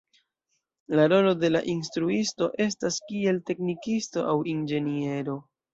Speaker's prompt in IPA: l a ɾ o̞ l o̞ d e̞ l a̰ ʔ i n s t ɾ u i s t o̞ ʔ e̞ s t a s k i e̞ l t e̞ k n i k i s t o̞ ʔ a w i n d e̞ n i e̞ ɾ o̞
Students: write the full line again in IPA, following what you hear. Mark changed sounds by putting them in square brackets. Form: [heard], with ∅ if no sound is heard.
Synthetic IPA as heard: l a ɾ o̞ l o̞ d e̞ l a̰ ʔ i n s t ɾ u i s t o̞ ʔ e̞ s t a s k i e̞ l t e̞ k n i k i s t o̞ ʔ a w i n [d͡ʒ] e̞ n i e̞ ɾ o̞